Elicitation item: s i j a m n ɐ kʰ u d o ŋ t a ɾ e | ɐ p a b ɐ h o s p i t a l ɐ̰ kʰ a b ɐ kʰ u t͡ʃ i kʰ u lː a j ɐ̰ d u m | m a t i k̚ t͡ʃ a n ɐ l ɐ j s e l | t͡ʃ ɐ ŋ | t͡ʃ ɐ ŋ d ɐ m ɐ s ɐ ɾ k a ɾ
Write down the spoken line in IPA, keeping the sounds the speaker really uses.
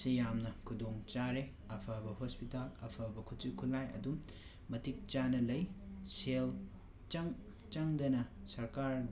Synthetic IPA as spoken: s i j a m n ɐ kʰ u d o ŋ t͡ʃ a ɾ e | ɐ pʰ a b ɐ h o s p i t a l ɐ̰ pʰ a b ɐ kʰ u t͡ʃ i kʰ u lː a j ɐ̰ d u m | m ɐ t i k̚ t͡ʃ a n ɐ l ɐ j s e l | t͡ʃ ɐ ŋ | t͡ʃ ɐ ŋ d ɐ n ɐ s ɐ ɾ k a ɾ